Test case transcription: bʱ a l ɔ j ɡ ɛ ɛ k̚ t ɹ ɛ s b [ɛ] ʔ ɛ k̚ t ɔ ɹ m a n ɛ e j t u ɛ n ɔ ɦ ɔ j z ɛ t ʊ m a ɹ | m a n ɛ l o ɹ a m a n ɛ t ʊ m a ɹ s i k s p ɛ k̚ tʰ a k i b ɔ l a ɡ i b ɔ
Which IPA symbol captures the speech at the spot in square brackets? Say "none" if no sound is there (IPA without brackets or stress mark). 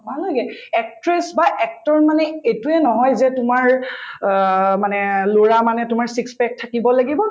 a